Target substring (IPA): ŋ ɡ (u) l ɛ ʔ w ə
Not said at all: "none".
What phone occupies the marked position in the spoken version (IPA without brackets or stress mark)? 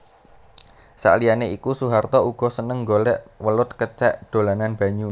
o